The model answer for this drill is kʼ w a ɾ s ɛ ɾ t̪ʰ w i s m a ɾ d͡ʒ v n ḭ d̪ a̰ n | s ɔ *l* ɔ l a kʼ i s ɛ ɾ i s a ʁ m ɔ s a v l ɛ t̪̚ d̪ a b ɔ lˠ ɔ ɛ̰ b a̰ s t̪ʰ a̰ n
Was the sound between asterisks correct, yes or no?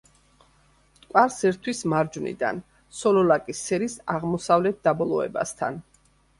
yes